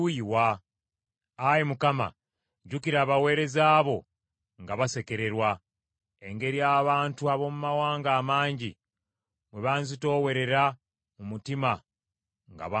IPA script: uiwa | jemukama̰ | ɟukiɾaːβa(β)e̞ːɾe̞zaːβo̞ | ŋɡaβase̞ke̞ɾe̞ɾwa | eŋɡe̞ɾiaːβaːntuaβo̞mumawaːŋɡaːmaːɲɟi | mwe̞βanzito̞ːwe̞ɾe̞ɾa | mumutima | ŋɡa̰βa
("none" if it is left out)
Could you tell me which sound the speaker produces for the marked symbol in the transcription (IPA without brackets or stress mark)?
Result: w